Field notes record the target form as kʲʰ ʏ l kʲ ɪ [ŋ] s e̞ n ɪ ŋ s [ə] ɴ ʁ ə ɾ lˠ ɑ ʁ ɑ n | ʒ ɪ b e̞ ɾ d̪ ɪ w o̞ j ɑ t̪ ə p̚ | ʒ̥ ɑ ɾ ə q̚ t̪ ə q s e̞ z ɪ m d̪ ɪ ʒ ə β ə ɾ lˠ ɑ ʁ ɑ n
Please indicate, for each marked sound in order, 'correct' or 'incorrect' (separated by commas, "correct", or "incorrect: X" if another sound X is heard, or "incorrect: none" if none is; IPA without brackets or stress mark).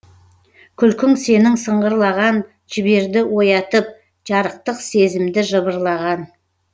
correct, correct